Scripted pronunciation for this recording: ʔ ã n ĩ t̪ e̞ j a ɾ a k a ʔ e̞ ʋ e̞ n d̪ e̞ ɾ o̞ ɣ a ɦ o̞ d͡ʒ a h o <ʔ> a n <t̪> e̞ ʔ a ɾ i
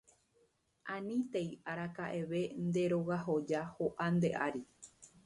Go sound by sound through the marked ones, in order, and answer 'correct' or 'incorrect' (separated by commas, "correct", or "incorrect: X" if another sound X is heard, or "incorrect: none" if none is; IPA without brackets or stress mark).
correct, incorrect: d̪